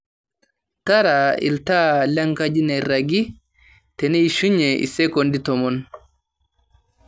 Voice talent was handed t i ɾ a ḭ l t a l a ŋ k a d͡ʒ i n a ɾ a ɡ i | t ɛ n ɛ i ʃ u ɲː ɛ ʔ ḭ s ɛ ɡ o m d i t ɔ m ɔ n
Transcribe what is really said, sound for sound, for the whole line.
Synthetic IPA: t a ɾ a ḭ l t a l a ŋ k a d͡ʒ i n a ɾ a ɡ i | t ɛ n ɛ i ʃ u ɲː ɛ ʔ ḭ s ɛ k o n d i t ɔ m ɔ n